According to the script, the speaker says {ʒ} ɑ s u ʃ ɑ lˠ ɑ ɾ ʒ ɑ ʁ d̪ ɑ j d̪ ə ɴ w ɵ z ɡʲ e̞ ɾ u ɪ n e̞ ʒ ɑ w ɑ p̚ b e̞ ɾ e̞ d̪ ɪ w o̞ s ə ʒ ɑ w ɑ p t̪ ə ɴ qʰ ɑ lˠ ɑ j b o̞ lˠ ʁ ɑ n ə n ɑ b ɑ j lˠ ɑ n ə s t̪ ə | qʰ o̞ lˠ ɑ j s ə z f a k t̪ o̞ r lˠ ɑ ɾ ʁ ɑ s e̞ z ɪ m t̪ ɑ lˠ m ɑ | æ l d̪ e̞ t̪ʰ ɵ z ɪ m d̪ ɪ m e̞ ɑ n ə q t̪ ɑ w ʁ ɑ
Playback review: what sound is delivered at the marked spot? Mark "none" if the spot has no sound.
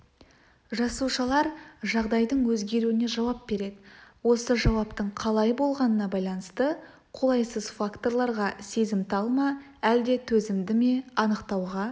ʒ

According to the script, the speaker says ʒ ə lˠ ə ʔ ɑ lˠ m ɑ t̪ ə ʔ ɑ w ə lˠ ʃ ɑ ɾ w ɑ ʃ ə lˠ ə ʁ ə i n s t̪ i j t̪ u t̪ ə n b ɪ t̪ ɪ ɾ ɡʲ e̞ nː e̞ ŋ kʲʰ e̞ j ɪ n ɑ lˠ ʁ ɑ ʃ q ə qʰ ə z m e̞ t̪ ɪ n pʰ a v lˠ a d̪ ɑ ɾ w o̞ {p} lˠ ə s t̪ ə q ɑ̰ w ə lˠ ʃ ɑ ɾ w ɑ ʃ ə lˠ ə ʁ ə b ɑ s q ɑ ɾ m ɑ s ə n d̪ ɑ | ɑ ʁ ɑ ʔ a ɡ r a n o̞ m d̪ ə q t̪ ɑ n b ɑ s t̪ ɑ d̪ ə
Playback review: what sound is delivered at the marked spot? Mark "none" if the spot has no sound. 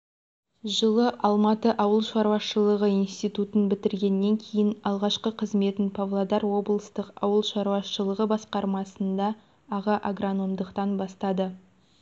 b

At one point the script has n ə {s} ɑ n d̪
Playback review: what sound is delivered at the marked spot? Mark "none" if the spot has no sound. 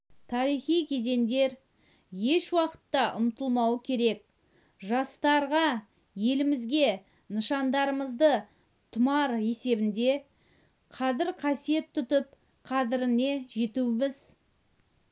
ʃ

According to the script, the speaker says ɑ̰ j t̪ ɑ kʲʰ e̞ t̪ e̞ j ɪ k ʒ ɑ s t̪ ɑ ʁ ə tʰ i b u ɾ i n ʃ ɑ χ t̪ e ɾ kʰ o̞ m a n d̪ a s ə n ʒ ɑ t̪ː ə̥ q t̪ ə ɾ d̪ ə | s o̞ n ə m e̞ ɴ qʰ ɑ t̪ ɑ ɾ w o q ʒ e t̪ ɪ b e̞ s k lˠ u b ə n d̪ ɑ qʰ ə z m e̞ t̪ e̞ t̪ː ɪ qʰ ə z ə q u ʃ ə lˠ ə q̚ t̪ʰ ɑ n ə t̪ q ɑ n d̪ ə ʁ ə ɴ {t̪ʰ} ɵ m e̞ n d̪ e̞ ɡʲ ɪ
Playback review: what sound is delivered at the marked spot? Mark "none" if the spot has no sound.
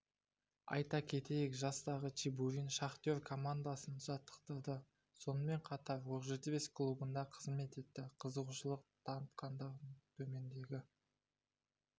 t̪ʰ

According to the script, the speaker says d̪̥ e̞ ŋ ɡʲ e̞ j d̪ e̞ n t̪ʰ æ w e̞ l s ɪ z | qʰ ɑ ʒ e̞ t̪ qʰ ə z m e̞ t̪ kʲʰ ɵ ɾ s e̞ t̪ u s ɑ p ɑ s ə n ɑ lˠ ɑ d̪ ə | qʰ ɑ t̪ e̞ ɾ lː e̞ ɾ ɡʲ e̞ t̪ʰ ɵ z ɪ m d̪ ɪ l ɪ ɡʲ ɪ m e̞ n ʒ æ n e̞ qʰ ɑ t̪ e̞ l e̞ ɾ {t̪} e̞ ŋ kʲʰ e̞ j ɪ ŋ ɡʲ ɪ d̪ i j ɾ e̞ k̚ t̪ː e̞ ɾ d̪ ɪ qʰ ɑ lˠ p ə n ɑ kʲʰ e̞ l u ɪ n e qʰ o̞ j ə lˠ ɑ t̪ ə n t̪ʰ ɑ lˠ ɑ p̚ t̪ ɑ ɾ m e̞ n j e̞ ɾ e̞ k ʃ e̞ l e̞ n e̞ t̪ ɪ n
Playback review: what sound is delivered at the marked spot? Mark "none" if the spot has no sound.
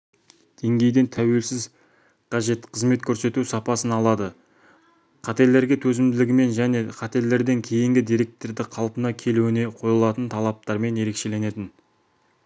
d̪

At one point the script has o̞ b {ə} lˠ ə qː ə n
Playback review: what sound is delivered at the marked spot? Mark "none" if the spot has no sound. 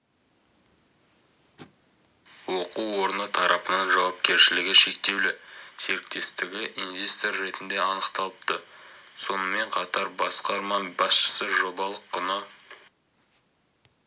ɑ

